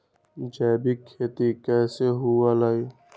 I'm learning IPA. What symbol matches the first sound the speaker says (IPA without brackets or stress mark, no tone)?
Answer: d͡ʒ